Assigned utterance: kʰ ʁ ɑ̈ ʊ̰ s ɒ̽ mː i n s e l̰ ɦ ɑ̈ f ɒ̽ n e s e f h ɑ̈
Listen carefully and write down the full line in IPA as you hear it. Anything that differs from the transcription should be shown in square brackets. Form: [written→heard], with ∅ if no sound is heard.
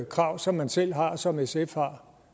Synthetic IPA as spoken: kʰ ʁ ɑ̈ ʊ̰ s ɒ̽ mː [i→æ] n s e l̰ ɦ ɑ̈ [f→s] ɒ̽ [n→m] e s e f h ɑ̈